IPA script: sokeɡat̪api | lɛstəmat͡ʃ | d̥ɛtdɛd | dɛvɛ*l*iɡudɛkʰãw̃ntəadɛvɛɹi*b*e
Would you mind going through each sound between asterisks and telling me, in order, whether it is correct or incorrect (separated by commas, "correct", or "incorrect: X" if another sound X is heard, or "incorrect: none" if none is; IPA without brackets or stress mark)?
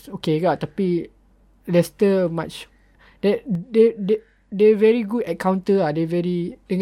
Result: incorrect: ɹ, incorrect: d